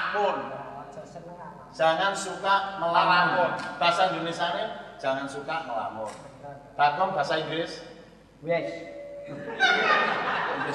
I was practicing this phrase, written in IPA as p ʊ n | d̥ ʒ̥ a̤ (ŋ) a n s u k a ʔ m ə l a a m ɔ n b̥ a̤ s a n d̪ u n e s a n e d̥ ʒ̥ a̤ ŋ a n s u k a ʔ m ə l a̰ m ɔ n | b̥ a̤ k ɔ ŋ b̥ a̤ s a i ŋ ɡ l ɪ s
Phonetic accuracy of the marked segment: correct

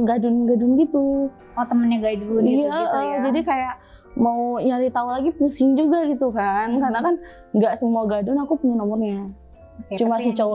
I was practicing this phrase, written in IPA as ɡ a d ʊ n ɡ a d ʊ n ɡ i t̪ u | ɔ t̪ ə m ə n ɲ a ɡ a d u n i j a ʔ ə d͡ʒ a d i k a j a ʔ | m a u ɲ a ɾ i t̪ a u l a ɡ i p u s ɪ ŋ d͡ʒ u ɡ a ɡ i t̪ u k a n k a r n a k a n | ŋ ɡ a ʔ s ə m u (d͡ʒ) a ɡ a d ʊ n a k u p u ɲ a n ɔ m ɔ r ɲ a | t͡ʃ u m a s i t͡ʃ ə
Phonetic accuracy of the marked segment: incorrect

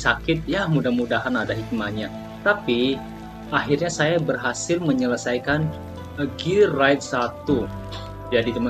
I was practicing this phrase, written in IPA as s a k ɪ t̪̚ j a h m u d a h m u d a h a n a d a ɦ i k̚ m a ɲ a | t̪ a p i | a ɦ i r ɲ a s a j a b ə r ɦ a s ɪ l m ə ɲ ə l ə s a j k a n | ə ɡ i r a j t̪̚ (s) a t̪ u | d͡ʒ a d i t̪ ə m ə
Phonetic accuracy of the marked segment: correct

